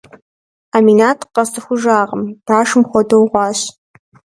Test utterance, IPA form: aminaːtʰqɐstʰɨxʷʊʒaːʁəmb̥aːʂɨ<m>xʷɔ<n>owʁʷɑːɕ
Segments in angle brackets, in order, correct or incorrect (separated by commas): correct, incorrect